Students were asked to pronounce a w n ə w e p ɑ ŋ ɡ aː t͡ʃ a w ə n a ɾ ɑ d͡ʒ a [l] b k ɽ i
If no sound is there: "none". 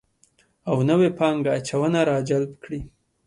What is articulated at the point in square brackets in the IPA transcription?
l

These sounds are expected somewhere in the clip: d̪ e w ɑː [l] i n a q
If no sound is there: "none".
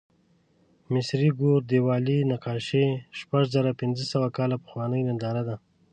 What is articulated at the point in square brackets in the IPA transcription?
l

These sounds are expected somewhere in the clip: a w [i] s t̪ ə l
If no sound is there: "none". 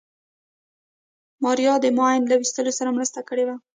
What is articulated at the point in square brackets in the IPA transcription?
i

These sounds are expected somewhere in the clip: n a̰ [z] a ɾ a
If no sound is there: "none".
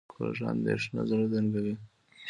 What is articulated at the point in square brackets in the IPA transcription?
z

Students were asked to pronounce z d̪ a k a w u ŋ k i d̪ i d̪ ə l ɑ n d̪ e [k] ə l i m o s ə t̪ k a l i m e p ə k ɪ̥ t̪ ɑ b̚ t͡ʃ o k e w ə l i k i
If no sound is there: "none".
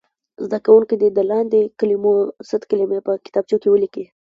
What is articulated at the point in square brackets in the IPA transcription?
k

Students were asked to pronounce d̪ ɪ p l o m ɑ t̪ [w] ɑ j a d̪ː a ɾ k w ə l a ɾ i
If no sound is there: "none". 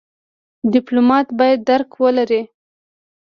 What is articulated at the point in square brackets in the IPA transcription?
b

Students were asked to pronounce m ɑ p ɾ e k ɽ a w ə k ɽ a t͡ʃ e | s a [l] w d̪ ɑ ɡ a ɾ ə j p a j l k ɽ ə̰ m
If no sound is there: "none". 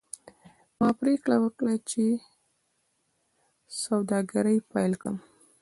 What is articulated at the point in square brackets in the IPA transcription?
none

